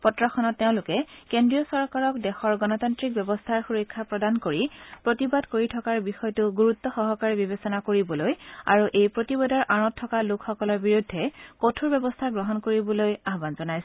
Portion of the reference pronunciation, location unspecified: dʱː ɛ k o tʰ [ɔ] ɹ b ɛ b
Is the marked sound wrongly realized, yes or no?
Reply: yes